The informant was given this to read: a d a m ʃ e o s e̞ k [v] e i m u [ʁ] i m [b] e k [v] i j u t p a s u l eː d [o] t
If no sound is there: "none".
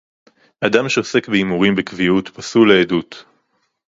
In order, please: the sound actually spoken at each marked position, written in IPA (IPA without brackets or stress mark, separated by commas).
b, ʁ, b, v, u